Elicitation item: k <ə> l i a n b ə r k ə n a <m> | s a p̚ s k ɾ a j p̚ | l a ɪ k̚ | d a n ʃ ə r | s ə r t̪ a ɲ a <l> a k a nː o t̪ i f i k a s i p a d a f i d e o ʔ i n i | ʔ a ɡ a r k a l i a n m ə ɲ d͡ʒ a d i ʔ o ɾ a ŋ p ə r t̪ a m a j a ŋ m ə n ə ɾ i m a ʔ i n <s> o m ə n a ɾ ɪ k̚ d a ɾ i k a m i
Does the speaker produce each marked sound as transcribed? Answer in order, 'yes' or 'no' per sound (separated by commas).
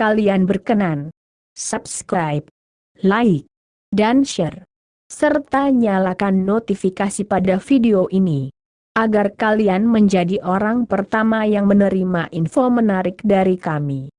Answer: no, no, yes, no